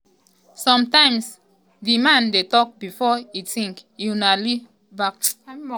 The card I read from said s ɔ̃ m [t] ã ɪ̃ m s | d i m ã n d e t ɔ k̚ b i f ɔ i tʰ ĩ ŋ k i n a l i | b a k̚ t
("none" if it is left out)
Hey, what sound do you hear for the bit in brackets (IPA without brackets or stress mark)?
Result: t